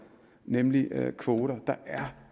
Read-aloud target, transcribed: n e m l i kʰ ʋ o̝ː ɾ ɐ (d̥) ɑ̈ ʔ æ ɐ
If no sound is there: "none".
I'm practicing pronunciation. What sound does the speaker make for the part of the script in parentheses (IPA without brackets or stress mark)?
d̥